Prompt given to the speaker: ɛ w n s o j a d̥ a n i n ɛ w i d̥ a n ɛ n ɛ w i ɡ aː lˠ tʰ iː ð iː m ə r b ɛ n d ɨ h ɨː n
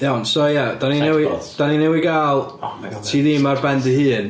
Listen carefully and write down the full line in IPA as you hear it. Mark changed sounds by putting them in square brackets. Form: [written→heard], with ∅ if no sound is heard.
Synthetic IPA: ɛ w n s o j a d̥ a n i n ɛ w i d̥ a n [ɛ→i] n ɛ w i ɡ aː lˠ tʰ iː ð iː m [ə→a] r b ɛ n d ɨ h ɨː n